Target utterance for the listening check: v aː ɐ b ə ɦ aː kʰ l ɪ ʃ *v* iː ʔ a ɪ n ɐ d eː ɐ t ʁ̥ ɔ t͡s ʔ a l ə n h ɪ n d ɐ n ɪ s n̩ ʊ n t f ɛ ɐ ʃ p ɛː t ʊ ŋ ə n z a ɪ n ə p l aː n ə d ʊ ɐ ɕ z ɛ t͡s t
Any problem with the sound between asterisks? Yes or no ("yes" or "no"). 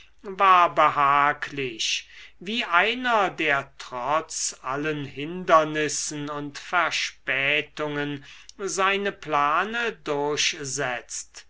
no